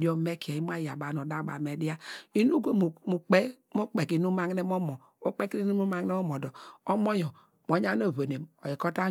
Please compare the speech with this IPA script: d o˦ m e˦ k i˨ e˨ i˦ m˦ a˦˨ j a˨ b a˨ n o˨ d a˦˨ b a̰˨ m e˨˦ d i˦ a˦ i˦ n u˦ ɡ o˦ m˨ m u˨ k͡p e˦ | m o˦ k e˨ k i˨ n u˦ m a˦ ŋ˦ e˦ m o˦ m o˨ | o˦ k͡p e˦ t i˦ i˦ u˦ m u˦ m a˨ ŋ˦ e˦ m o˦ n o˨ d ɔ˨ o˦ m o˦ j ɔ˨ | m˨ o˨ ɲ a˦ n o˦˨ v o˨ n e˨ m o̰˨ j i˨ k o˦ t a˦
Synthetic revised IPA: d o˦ m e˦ k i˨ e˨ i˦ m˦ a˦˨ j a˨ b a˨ n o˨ d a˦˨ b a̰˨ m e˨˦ d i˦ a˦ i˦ n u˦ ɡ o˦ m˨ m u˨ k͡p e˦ | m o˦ k͡p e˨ k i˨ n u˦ m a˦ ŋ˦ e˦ m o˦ m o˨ | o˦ k͡p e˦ k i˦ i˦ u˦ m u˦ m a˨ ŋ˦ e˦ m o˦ m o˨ d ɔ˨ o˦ m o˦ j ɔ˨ | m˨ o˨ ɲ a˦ n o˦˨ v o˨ n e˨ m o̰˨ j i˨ k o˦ t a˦